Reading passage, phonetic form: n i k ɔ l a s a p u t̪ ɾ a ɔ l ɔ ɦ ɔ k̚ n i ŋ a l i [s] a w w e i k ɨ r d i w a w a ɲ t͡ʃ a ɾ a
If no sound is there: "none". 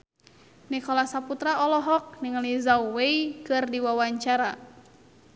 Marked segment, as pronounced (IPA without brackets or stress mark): z